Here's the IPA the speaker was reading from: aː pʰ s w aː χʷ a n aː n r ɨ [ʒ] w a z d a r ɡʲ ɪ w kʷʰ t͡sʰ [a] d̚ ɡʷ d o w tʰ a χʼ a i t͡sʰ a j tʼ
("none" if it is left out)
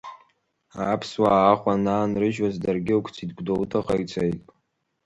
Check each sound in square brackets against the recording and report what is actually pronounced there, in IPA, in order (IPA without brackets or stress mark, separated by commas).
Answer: ʒ, i